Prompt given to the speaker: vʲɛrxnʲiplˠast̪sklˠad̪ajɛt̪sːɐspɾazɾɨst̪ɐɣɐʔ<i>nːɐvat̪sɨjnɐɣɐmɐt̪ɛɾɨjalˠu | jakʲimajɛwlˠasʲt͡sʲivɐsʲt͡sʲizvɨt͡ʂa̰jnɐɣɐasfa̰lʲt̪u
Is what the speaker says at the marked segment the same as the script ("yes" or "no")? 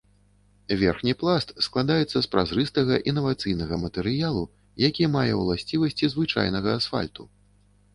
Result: yes